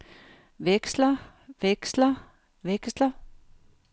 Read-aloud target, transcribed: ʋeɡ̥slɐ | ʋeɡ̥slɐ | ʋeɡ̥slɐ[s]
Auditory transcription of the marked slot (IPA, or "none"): none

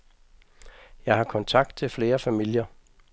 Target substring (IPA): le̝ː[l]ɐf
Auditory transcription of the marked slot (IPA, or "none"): none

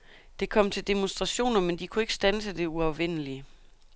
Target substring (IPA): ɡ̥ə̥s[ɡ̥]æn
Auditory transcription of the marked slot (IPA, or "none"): d̥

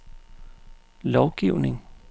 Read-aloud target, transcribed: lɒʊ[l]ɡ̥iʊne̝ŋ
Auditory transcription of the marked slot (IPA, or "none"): none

